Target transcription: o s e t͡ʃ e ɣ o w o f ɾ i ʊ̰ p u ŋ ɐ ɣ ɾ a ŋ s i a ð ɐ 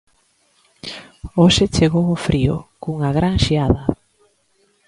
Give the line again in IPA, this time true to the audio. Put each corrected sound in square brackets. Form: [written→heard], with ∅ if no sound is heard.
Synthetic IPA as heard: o [s→ʃ] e t͡ʃ e ɣ o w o f ɾ i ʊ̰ [p→k] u ŋ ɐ ɣ ɾ a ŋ [s→ʃ] i a ð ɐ